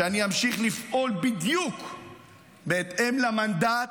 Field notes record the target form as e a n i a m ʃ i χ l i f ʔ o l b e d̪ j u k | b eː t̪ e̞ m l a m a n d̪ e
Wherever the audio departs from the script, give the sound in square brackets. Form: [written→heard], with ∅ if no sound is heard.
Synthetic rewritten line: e a n i a m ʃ i χ l i f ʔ o l b [e→i] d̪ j u k | b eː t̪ e̞ m l a m a n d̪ [e→a]